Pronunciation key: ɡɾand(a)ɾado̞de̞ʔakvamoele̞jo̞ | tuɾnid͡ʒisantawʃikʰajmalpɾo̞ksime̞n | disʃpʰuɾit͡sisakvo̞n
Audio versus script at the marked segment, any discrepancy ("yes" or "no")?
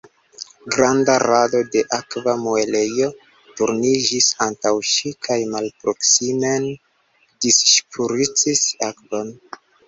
no